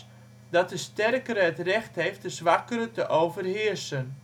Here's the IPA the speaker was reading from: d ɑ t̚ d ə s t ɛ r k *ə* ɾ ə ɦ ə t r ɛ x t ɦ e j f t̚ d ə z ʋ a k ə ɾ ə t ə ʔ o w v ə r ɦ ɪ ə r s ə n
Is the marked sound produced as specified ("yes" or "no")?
yes